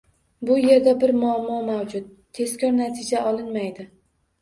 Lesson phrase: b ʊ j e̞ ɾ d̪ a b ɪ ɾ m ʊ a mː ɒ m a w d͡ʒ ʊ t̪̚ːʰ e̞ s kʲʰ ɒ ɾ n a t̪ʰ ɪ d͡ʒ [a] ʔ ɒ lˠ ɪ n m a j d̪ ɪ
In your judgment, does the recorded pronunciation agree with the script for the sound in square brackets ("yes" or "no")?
yes